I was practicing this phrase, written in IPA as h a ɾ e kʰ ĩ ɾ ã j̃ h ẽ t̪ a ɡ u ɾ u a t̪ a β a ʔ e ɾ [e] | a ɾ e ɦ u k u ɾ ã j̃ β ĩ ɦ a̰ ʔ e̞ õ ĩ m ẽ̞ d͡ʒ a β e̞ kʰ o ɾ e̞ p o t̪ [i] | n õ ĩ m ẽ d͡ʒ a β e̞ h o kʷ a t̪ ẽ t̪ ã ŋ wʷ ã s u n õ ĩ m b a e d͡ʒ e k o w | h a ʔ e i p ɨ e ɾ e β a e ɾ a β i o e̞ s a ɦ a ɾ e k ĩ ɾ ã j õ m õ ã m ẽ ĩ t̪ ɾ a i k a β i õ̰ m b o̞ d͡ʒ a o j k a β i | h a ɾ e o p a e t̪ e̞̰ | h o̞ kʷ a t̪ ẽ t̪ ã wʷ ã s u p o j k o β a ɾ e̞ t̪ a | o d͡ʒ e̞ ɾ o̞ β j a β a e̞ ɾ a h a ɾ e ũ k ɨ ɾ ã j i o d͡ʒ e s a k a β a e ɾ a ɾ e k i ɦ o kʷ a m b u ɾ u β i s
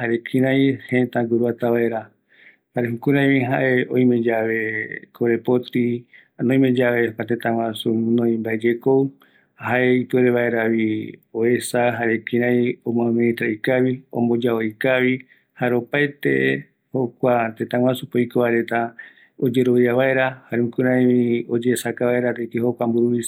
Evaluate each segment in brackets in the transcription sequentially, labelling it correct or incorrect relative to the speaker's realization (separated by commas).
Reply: incorrect, correct